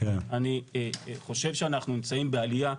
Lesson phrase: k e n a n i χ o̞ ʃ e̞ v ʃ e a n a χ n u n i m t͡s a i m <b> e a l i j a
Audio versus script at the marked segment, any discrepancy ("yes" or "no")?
no